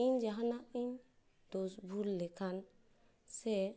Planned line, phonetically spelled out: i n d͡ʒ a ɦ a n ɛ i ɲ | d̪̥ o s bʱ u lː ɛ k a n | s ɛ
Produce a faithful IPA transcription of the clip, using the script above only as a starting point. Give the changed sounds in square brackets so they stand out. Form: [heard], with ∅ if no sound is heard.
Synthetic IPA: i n d͡ʒ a ɦ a n [a] i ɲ | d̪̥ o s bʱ u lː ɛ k a n | s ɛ